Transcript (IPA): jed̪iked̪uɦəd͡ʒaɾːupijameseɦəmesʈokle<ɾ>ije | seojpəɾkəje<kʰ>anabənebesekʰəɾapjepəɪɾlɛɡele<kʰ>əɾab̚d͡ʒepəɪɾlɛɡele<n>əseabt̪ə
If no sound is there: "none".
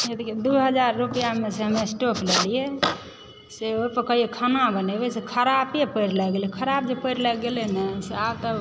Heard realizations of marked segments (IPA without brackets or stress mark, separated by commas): l, kʰ, kʰ, n